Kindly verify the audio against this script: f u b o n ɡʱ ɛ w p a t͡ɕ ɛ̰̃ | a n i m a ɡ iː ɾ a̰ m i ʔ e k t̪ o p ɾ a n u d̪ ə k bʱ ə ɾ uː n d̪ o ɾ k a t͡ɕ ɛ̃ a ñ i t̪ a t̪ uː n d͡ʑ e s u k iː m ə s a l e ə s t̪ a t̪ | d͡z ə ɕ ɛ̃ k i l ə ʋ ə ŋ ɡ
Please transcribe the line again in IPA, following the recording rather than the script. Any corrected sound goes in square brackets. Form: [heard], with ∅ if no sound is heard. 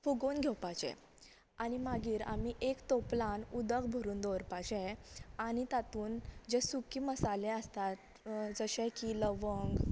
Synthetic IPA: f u [ɡ] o n ɡʱ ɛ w p a t͡ɕ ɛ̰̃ | a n i m a ɡ iː ɾ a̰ m i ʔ e k t̪ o p [l] a n u d̪ ə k bʱ ə ɾ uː n d̪ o ɾ [p] a t͡ɕ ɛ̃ a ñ i t̪ a t̪ uː n d͡ʑ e s u k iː m ə s a l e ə s t̪ a t̪ | d͡z ə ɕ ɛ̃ k i l ə ʋ ə ŋ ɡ